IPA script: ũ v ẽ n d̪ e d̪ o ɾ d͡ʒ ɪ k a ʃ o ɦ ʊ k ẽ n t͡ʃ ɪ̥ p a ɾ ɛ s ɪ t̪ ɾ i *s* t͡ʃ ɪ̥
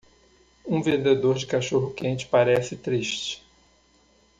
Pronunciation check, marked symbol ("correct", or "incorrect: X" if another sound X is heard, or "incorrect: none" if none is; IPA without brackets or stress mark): incorrect: ʃ